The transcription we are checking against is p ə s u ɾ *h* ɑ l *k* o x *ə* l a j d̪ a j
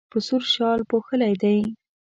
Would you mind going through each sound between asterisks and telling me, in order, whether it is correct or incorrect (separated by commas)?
incorrect, incorrect, correct